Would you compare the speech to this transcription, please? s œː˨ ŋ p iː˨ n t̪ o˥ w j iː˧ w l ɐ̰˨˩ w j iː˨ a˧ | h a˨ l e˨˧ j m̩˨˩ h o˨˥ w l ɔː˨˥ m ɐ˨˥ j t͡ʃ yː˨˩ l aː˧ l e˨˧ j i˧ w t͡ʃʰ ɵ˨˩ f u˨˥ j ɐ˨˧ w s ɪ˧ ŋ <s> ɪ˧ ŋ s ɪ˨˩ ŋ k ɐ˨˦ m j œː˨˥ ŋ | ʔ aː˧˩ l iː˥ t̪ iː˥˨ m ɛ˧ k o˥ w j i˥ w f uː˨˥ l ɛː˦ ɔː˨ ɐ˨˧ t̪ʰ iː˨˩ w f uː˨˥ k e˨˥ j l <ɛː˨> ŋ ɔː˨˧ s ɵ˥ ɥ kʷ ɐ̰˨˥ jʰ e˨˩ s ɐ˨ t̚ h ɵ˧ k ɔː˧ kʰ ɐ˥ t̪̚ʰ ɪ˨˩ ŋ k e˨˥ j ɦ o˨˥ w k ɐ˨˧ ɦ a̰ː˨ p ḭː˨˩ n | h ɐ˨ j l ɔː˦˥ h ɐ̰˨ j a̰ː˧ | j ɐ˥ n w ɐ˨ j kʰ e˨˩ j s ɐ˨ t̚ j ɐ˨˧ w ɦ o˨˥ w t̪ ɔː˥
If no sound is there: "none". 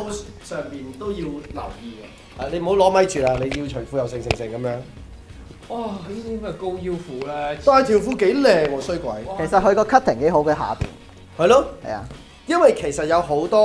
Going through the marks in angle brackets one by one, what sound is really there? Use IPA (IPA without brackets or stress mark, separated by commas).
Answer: s, ɛː˨